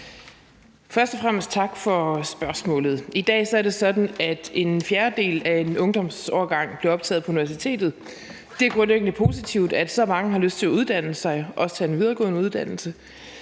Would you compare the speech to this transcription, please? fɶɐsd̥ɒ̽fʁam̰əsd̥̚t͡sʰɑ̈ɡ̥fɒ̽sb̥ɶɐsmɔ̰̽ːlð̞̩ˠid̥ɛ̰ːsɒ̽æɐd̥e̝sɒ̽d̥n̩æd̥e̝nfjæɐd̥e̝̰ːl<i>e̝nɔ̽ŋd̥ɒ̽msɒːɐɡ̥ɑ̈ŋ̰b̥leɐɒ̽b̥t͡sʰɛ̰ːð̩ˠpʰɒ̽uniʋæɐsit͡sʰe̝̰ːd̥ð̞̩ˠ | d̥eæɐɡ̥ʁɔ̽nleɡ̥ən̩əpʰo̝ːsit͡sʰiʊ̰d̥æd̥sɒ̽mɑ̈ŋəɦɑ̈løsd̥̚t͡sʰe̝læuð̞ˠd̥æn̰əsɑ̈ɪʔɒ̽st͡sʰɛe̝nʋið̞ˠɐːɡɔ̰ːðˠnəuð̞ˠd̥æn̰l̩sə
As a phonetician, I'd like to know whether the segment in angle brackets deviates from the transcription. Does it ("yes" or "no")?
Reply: yes